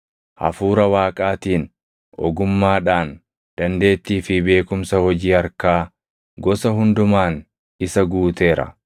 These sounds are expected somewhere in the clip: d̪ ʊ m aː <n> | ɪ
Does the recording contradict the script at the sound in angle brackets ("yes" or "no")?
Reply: no